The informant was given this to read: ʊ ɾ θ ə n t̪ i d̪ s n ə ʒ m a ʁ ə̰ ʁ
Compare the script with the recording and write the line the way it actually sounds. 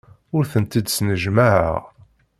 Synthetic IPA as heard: ʊ ɾ θ ə n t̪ i d̪ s n ə ʒ m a ʕ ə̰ ʁ

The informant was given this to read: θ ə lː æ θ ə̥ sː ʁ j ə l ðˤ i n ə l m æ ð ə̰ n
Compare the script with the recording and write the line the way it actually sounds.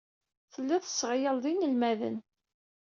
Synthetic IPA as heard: θ ə lː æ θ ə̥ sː ʁ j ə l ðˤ i n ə l m æ ð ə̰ n

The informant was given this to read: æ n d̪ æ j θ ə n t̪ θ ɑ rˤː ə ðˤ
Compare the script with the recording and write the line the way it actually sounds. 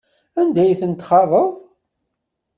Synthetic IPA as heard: æ n d̪ æ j θ ə n t̪ χ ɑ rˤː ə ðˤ

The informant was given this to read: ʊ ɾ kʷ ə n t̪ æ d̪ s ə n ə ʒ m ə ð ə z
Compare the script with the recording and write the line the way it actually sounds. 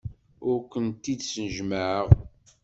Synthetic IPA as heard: ʊ ɾ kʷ ə n t̪ i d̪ s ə n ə ʒ m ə ʕ ə ʁ

